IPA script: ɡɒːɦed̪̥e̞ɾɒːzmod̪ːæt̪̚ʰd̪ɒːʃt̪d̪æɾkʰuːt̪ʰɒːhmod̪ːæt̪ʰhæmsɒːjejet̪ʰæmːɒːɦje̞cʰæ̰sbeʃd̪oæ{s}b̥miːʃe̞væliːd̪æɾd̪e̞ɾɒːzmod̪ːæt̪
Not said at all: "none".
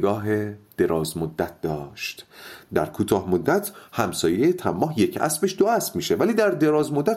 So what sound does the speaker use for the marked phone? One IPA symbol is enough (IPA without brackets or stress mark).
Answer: s